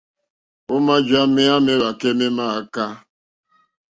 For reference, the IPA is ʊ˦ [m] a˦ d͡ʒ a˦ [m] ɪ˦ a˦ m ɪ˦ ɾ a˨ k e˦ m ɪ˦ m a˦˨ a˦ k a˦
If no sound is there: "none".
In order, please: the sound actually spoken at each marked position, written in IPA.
m, m

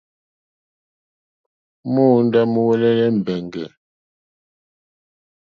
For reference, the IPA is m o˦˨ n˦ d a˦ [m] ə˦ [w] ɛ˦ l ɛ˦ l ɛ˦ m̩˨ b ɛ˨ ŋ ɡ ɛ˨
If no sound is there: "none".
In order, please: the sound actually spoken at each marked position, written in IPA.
m, w

